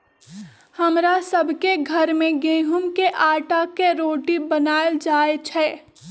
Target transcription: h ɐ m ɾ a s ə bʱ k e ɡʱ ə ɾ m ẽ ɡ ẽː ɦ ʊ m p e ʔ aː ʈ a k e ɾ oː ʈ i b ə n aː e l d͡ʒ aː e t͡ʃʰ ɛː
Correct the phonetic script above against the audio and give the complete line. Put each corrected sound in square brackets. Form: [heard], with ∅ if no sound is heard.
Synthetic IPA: h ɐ m ɾ a s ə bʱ k e ɡʱ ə ɾ m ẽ ɡ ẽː ɦ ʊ m [k] e ʔ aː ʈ a k e ɾ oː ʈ i b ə n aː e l d͡ʒ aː e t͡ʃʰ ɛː